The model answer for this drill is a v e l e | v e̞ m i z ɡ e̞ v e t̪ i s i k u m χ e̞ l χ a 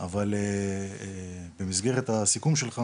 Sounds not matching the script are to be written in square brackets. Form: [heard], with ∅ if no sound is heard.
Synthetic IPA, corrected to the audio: a v [a] l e | [b] e̞ m i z ɡ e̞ [ʁ] e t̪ [a] s i k u m [ʃ] e̞ l χ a